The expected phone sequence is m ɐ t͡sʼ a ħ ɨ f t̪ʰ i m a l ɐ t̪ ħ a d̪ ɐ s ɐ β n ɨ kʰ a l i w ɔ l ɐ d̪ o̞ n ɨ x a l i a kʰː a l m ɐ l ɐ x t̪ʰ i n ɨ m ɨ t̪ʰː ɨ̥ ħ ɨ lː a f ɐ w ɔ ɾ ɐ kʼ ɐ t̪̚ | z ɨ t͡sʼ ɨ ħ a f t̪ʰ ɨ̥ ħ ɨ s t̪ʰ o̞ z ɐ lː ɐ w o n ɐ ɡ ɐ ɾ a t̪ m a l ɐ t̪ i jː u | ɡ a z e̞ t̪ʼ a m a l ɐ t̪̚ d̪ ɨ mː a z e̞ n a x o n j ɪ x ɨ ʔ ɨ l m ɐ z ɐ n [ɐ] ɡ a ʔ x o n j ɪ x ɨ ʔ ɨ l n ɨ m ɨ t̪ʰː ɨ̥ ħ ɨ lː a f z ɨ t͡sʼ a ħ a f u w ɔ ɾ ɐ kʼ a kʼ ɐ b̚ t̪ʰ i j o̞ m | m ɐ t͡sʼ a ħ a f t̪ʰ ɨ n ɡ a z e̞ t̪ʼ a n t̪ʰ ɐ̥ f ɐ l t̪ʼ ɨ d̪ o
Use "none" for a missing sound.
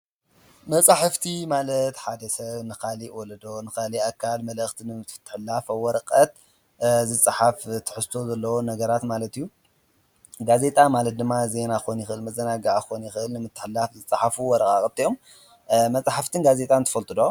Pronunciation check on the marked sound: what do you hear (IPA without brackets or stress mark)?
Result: a